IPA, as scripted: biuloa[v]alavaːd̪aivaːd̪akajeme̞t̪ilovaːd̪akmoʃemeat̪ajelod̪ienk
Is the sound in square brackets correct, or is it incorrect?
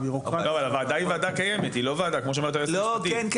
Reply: correct